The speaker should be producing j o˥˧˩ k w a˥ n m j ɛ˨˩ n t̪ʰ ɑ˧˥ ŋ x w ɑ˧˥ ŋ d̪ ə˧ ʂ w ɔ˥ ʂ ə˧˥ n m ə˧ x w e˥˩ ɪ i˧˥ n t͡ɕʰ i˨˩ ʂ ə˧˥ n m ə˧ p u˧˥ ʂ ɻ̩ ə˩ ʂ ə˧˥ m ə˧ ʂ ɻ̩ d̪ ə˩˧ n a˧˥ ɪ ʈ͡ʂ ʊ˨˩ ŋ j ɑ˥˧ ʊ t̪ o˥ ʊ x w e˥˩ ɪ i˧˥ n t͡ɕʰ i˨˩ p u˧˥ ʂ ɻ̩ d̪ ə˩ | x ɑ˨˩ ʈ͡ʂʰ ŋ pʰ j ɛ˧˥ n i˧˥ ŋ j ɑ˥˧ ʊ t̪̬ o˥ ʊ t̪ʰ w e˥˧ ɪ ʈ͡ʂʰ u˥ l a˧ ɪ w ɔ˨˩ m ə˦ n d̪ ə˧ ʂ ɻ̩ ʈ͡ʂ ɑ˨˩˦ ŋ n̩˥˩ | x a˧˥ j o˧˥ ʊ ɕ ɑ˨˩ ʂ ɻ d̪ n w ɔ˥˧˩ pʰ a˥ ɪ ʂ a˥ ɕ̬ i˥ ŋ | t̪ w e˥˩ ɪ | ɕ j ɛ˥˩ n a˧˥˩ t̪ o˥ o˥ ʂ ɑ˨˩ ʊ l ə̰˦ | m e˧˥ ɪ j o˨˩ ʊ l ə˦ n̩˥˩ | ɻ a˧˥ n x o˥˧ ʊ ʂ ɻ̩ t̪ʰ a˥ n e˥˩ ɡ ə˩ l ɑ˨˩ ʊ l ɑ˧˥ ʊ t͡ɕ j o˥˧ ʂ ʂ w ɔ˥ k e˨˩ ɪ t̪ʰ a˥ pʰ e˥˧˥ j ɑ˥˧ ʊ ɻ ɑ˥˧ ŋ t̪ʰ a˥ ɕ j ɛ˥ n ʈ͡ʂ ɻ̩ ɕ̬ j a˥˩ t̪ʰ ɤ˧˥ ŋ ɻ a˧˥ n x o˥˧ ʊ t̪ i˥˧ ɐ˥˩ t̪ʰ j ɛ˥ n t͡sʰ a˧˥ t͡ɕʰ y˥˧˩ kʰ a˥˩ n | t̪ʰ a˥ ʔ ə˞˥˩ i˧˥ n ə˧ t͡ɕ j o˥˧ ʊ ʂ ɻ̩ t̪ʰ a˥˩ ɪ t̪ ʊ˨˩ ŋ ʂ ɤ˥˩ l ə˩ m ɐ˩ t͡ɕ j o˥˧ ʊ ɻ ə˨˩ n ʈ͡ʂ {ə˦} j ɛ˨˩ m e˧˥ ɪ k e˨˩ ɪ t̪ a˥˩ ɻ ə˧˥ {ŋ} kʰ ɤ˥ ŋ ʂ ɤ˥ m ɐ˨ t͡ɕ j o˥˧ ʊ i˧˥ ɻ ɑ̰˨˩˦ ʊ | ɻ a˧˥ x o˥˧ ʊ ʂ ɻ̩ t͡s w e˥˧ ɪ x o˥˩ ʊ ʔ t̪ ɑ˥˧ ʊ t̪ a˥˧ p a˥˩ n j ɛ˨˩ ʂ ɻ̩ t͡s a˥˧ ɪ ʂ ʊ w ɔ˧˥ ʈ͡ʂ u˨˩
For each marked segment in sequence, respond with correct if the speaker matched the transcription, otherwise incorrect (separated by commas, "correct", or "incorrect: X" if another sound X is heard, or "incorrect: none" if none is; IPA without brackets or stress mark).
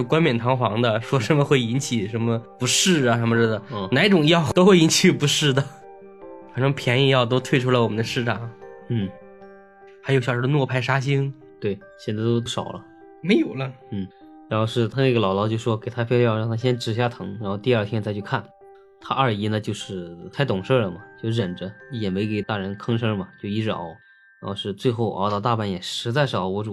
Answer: correct, incorrect: n